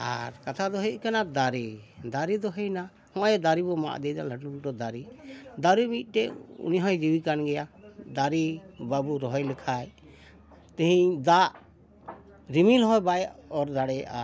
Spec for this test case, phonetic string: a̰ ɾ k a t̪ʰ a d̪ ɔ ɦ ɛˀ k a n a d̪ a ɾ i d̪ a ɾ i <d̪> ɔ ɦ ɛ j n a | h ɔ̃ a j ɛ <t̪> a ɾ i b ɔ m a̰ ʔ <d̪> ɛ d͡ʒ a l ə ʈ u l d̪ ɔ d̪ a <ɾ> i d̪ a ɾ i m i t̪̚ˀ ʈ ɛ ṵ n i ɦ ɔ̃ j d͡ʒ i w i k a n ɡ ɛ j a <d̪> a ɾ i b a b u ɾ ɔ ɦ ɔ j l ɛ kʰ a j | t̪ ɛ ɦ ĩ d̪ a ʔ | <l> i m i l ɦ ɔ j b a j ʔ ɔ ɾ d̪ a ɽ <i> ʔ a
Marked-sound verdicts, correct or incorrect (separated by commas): correct, incorrect, correct, correct, correct, incorrect, incorrect